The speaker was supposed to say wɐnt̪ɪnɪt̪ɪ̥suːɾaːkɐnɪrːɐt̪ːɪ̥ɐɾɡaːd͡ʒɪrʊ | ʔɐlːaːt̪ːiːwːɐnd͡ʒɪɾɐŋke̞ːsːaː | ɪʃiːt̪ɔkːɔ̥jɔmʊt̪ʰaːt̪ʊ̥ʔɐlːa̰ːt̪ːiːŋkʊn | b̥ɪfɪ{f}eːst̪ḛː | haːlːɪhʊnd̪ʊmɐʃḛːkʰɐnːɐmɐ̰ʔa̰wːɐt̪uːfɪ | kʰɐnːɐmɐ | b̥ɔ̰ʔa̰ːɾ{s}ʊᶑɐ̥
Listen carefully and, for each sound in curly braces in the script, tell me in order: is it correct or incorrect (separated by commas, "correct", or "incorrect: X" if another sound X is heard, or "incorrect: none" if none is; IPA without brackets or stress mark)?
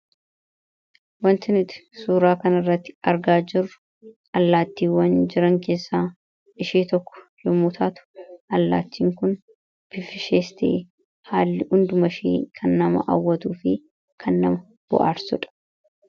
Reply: incorrect: ʃ, correct